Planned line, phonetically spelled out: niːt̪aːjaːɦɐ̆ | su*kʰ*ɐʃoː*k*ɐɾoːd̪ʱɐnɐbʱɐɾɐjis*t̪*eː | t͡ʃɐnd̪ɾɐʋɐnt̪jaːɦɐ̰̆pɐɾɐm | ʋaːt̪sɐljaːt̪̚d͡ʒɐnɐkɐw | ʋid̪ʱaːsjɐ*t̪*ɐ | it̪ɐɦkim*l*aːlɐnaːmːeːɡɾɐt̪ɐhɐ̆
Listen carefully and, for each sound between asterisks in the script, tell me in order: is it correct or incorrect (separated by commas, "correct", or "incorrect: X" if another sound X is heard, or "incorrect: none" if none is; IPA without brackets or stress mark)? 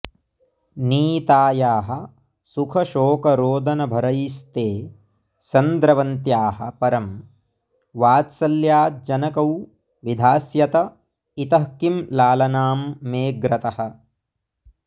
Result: correct, correct, correct, correct, correct